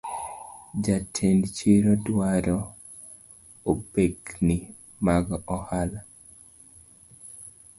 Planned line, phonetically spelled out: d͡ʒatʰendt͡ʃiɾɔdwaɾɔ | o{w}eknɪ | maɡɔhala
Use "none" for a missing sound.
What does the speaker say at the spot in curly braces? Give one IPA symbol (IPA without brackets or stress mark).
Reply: b